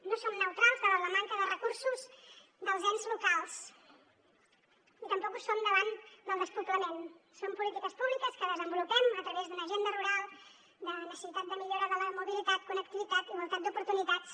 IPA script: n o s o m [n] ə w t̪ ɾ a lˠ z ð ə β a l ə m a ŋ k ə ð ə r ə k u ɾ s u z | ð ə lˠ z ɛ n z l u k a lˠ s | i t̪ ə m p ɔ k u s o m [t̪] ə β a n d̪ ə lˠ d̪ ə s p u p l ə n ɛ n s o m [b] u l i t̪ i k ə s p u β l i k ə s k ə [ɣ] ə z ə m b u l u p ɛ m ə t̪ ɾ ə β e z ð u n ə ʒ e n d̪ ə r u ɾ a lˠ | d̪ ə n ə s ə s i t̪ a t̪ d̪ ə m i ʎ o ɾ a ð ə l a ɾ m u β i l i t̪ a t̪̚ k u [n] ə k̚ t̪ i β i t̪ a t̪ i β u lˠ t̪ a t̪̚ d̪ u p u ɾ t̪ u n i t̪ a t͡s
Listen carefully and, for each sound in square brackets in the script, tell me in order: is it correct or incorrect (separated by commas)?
correct, incorrect, incorrect, incorrect, correct